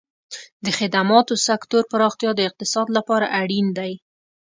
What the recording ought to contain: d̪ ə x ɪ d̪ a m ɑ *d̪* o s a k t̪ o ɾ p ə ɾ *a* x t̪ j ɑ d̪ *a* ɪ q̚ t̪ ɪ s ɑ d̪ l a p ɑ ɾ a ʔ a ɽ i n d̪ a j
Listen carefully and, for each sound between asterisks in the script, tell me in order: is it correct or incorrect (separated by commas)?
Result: incorrect, incorrect, incorrect